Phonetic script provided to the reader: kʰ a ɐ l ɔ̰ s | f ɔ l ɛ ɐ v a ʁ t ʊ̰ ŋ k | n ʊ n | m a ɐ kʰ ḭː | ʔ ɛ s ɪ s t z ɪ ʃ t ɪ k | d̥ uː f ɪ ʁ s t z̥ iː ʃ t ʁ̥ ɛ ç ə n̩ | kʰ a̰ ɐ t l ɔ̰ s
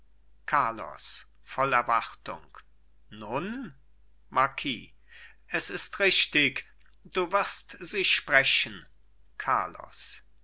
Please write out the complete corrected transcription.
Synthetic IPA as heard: kʰ a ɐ l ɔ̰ s | f ɔ l ɛ ɐ v a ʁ t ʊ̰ ŋ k | n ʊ n | m a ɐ kʰ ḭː | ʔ ɛ s ɪ s t ʁ ɪ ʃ t ɪ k | d̥ uː v ɪ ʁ s t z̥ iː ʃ p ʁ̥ ɛ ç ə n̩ | kʰ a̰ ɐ l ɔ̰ s